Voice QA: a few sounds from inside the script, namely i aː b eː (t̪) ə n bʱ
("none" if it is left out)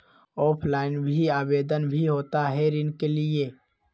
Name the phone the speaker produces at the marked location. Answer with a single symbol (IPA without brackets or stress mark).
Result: d̪